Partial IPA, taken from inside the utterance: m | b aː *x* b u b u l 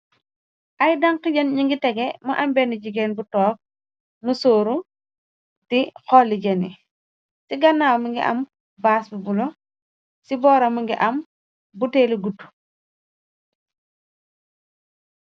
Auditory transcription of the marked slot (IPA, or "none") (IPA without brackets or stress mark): s